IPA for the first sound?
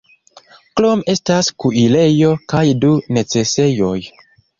k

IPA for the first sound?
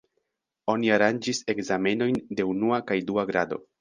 o̞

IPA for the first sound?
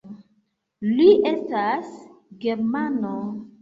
l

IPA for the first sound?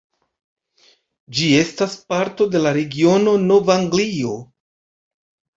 d͡ʒ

